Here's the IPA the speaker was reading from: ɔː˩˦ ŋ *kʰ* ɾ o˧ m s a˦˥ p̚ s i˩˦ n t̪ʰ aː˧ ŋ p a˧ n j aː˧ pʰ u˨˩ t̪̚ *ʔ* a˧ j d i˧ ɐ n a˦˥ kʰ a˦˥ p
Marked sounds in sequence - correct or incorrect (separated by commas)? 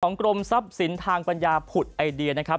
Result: incorrect, correct